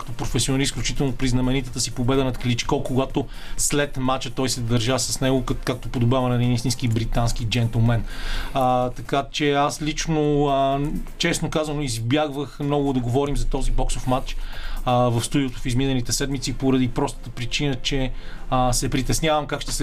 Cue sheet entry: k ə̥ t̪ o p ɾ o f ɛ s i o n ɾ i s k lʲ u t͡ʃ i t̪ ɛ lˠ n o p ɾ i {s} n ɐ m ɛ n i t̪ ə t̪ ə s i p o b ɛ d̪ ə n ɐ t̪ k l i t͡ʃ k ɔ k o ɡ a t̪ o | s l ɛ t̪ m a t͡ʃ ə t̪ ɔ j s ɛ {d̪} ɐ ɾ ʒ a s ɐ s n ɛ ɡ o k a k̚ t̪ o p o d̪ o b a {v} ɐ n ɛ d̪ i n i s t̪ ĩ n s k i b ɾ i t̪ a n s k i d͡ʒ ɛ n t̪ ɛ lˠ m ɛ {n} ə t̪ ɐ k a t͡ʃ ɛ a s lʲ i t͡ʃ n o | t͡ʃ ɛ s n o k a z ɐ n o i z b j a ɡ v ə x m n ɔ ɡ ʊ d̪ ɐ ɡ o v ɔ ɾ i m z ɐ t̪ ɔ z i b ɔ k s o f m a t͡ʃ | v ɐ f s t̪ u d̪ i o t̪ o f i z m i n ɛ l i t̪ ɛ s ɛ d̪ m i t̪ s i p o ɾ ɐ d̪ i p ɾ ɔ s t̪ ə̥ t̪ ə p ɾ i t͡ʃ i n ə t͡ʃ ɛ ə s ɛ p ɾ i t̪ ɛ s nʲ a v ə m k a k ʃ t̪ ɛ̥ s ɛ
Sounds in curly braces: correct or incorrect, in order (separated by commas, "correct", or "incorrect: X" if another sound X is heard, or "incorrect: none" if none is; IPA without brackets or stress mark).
incorrect: z, correct, correct, correct